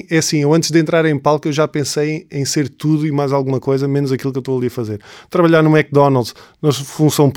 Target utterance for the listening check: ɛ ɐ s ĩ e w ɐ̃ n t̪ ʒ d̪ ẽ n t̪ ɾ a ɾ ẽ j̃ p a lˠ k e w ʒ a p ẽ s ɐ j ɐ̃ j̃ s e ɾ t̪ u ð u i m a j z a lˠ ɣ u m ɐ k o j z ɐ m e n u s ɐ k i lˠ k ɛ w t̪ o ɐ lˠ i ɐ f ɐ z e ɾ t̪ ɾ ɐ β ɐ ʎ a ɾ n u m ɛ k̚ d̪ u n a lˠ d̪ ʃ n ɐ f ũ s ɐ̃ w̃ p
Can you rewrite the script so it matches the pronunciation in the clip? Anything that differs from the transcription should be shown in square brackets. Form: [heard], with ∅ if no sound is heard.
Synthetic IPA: ɛ ɐ s ĩ e w ɐ̃ n t̪ ʒ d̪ ẽ n t̪ ɾ a ɾ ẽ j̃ p a lˠ k e w ʒ a p ẽ s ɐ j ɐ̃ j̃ s e ɾ t̪ u ð u i m a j z a lˠ ɣ u m ɐ k o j z ɐ m e n u [z] ɐ k i lˠ k [e] w t̪ o ɐ lˠ i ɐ f ɐ z e ɾ t̪ ɾ ɐ β ɐ ʎ a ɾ n u m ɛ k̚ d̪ [ɔ] n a lˠ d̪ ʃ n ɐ f ũ s ɐ̃ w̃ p